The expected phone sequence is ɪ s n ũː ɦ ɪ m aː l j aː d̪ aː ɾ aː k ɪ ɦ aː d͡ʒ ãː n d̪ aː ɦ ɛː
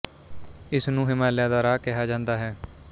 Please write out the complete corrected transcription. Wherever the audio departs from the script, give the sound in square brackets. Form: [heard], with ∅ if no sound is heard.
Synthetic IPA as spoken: ɪ s n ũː ɦ ɪ m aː l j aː d̪ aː ɾ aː k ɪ ɦ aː d͡ʒ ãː n d̪ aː ɦ ɛː